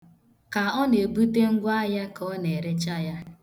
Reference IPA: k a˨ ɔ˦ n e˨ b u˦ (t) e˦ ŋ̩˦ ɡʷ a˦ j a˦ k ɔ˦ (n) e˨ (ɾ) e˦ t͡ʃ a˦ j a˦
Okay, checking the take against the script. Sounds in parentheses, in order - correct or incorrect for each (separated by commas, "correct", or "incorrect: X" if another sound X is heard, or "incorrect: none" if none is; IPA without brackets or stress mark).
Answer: correct, correct, correct